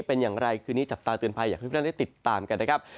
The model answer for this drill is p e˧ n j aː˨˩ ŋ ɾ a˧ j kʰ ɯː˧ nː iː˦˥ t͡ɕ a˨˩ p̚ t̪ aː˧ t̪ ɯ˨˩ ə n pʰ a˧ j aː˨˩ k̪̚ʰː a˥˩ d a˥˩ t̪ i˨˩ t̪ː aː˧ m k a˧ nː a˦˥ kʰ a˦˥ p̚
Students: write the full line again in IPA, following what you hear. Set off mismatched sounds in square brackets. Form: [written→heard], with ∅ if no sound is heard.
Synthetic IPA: p e˧ n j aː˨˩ ŋ ɾ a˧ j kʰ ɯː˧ [nː→n] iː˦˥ t͡ɕ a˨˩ p̚ t̪ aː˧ t̪ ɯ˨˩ ə n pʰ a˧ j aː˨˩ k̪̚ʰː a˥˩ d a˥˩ t̪ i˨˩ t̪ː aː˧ m k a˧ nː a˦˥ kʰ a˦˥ p̚